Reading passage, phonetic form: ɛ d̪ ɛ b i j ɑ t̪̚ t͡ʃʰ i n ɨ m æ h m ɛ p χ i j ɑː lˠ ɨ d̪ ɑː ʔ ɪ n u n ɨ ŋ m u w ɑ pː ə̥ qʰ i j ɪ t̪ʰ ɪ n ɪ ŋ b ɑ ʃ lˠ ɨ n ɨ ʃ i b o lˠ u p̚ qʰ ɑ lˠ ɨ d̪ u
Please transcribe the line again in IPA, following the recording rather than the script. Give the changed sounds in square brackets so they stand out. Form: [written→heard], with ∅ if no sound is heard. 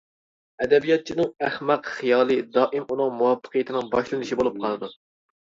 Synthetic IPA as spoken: ɛ d̪ ɛ b i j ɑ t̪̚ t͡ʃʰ i n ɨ [m→ŋ] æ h m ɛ [p→q] χ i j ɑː lˠ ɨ d̪ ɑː ʔ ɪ [n→m] u n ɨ ŋ m u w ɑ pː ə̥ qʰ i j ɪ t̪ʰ ɪ n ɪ ŋ b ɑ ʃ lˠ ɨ n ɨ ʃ i b o lˠ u p̚ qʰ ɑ lˠ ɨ d̪ u